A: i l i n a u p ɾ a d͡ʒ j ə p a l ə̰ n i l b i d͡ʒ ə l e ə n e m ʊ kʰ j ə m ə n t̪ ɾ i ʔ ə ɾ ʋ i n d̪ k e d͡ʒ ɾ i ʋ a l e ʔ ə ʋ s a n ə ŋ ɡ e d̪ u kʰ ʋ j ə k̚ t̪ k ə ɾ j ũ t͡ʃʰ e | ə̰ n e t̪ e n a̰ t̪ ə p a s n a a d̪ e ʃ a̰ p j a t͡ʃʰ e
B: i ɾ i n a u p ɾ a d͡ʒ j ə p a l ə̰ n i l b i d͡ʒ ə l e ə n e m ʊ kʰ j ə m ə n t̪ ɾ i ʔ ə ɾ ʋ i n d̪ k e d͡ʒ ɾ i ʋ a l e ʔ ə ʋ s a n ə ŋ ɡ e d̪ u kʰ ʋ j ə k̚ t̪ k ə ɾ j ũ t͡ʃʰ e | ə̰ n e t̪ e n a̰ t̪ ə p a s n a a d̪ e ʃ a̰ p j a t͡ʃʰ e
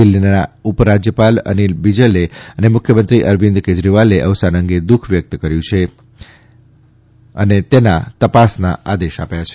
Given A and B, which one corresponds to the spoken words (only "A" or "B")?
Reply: A